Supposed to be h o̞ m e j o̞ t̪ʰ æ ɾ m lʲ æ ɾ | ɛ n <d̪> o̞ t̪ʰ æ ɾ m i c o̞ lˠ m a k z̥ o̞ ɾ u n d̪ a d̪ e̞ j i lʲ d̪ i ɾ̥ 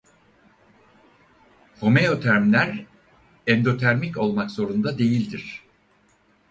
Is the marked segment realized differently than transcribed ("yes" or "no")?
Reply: no